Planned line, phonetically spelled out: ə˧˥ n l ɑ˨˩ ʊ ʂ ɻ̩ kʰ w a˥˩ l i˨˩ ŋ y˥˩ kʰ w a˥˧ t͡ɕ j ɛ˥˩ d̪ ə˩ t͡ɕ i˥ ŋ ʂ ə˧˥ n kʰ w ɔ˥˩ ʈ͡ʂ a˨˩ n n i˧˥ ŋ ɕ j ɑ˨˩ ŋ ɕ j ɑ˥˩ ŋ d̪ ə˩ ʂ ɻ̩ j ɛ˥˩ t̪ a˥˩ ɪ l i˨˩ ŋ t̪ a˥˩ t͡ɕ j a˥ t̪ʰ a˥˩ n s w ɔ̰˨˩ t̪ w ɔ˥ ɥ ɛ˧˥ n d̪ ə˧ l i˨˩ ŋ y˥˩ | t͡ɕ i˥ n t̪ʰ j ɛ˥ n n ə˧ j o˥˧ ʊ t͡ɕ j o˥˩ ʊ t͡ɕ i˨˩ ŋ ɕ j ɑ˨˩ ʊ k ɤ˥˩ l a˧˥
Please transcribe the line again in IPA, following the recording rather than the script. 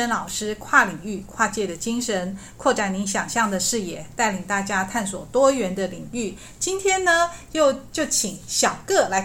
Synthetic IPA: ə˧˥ n l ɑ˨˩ ʊ ʂ ɻ̩ kʰ w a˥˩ l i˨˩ ŋ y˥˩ kʰ w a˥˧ t͡ɕ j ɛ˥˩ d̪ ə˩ t͡ɕ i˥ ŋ ʂ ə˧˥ n kʰ w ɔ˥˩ ʈ͡ʂ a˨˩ n n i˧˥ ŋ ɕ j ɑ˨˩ ŋ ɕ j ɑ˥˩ ŋ d̪ ə˩ ʂ ɻ̩ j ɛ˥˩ t̪ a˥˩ ɪ l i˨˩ ŋ t̪ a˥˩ t͡ɕ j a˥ t̪ʰ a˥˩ n s w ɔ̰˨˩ t̪ w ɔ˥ ɥ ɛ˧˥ n d̪ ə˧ l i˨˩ ŋ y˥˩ | t͡ɕ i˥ n t̪ʰ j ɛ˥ n n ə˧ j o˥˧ ʊ t͡ɕ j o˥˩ ʊ t͡ɕʰ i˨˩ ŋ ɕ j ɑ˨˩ ʊ k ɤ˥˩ l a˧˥